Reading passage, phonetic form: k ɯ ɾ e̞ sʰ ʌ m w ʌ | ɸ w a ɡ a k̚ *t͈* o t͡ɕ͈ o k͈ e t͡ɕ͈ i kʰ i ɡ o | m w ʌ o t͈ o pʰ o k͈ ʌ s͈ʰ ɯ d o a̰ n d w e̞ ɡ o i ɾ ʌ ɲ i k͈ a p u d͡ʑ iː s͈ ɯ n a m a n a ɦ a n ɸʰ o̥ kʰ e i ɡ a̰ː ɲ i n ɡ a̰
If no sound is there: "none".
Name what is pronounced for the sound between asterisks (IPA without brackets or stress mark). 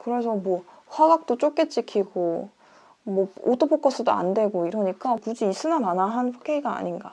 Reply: t͈